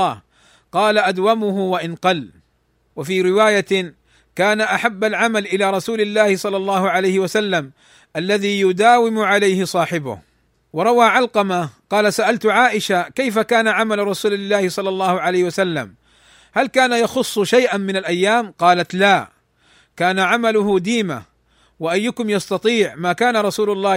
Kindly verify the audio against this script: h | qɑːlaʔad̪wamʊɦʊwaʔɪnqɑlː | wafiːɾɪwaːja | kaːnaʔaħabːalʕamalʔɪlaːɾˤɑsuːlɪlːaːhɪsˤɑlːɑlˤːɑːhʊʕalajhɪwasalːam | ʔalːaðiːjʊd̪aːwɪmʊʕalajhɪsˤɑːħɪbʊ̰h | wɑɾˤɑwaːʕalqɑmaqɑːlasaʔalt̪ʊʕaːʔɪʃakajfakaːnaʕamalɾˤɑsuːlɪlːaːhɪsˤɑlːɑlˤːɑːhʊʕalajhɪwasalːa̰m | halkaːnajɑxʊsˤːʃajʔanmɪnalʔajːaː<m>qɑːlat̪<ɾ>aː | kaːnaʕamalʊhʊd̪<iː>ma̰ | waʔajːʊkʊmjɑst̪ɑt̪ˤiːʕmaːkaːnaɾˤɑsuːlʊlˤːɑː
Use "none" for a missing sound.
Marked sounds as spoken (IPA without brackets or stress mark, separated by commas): m, l, iː